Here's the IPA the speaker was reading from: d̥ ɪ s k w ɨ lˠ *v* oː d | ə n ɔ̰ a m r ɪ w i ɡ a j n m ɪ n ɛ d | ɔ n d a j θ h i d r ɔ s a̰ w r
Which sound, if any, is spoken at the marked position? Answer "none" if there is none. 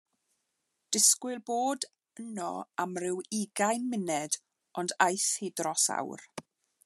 b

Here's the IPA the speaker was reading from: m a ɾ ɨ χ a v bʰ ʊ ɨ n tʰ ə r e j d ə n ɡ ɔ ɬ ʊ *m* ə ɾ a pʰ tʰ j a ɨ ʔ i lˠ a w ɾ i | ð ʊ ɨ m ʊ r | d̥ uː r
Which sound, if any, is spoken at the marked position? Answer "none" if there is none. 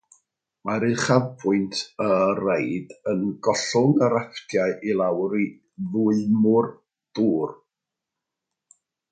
ŋ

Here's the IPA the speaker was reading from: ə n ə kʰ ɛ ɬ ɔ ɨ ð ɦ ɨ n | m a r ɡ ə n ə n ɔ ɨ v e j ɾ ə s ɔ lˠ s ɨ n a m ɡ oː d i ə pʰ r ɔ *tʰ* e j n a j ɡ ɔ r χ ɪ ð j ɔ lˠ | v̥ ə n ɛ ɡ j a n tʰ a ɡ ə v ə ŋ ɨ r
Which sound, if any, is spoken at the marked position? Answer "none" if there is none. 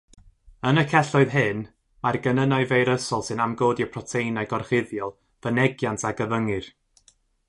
tʰ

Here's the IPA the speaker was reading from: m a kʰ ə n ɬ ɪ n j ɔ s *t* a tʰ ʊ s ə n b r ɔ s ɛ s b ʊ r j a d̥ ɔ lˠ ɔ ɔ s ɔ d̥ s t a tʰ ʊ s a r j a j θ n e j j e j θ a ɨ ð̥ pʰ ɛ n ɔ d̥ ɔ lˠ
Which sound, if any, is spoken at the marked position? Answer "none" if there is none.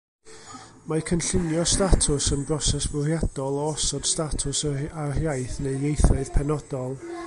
t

